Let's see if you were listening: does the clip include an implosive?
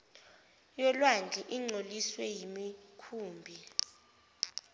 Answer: no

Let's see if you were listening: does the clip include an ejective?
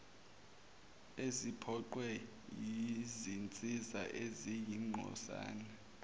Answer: yes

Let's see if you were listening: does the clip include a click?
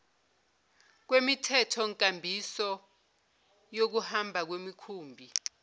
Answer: no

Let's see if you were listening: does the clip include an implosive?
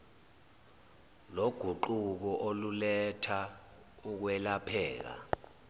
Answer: no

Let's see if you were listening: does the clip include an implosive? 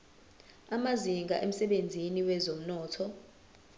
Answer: yes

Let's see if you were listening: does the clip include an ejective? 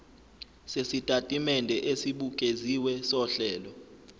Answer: yes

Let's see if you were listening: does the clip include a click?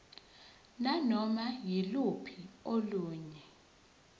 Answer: no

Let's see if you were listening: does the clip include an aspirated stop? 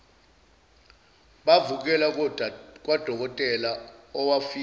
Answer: no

